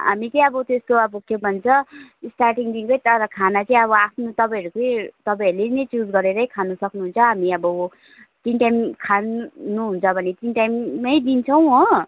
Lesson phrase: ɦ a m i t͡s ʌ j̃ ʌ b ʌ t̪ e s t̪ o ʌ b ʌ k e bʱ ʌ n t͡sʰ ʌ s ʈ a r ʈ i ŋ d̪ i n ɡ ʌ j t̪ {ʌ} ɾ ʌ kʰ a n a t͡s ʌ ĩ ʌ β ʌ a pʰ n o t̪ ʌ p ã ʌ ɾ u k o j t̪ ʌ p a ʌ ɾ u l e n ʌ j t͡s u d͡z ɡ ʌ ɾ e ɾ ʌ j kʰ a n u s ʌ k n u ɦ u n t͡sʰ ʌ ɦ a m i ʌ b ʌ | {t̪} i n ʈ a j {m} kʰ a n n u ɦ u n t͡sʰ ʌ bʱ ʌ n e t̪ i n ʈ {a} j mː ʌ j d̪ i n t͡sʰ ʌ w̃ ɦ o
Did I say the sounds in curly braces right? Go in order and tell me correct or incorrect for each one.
correct, correct, correct, correct

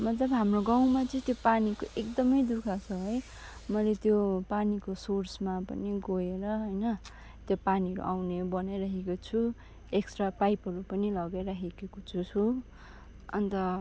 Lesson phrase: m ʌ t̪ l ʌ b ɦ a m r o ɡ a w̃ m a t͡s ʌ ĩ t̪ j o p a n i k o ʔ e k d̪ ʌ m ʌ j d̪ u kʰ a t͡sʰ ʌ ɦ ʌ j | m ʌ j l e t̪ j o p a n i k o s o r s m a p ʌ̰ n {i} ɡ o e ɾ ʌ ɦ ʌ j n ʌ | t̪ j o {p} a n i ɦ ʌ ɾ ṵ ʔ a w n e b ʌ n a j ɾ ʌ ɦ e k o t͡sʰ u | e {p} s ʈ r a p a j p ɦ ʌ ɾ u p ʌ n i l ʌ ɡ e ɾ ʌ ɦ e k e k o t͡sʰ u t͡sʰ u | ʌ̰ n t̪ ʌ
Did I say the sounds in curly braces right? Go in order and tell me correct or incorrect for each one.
correct, correct, incorrect

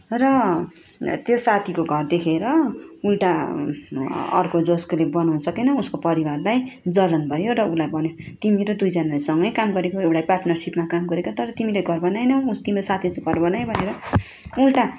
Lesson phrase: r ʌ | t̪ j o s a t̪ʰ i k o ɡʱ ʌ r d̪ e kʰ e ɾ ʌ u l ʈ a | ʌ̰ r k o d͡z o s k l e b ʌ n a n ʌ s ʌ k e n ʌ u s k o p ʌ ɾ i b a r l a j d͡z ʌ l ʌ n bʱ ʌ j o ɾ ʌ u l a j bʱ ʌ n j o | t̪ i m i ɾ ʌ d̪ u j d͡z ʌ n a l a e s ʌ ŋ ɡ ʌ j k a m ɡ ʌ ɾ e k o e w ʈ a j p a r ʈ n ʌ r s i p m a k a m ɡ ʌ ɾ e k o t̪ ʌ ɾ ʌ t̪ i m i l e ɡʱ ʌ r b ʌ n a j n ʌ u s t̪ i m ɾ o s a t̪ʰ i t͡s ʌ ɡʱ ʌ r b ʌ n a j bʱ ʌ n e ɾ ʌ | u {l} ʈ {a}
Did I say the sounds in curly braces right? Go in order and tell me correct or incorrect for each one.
correct, correct

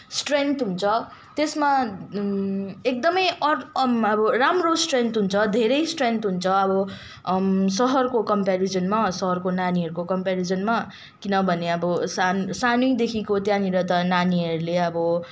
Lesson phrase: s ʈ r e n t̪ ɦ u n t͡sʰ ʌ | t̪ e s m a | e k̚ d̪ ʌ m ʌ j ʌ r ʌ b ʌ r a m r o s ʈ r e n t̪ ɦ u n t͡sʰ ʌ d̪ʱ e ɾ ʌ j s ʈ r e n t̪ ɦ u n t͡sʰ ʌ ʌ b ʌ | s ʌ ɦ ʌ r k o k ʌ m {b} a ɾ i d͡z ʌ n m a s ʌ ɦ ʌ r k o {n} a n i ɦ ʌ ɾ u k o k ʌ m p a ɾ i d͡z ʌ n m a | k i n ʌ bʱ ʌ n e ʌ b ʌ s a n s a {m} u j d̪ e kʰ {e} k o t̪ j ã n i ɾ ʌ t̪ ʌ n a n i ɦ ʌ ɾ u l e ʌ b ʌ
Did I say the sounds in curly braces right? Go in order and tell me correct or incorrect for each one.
incorrect, correct, incorrect, incorrect

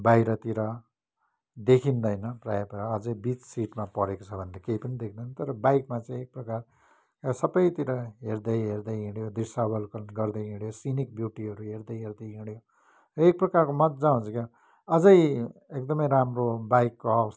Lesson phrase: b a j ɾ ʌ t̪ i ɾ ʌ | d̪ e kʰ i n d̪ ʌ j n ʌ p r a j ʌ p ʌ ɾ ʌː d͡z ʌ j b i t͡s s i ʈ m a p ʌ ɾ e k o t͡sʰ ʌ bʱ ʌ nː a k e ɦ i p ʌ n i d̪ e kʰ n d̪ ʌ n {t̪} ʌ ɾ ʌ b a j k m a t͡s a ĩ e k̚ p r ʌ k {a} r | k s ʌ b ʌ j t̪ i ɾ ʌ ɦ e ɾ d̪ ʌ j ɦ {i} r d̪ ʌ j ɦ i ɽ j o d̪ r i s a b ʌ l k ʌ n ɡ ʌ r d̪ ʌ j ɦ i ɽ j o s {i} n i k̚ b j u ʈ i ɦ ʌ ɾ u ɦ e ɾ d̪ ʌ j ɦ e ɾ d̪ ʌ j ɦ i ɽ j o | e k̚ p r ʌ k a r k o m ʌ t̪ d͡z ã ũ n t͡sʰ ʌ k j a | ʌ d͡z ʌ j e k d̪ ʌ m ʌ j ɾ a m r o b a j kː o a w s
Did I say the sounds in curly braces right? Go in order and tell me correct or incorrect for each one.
correct, correct, incorrect, correct

